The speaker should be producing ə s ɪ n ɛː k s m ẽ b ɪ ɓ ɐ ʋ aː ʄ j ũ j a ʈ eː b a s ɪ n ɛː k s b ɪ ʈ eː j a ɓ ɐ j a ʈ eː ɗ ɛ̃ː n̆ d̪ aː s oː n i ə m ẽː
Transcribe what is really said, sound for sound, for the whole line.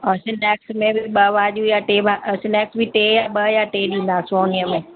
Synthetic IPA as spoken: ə s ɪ n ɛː k s m ẽ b ɪ ɓ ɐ ʋ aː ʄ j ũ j a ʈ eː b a s ɪ n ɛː k s b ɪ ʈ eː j a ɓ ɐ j a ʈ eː ɗ ĩː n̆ d̪ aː s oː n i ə m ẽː